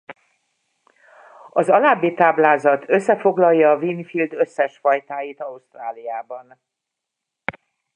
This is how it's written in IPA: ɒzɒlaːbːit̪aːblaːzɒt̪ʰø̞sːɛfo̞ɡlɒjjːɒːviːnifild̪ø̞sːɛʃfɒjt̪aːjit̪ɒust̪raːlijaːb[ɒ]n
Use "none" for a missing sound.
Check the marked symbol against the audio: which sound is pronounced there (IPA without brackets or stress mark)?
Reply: ɒ